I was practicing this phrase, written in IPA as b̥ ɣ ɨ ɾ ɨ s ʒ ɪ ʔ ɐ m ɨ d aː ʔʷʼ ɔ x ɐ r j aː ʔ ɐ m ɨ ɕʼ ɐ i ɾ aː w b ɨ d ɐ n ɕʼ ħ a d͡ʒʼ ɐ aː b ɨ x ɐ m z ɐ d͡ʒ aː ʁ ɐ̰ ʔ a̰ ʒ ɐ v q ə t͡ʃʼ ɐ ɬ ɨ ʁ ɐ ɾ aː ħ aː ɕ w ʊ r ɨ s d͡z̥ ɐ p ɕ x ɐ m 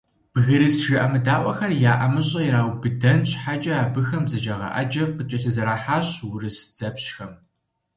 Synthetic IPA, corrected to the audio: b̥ ɣ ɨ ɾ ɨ s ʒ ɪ ʔ ɐ m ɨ d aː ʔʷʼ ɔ x ɐ r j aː ʔ ɐ m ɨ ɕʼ ɐ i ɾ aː w b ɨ d ɐ n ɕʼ ħ a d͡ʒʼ ɐ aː b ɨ x ɐ m z ɐ d͡ʒ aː ʁ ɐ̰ ʔ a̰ d͡ʒ ɐ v q ə t͡ʃʼ ɐ ɬ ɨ z ɐ ɾ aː ħ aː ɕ w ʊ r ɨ s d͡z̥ ɐ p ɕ x ɐ m